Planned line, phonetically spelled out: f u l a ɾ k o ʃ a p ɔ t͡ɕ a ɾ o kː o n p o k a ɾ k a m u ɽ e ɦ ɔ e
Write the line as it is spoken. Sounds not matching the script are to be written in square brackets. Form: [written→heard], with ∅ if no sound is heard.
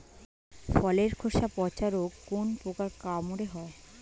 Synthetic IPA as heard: f [u→ɔ] l [a→e] ɾ [k→kʰ] o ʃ a p ɔ t͡ɕ a ɾ o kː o n p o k a ɾ k a m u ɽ e ɦ ɔ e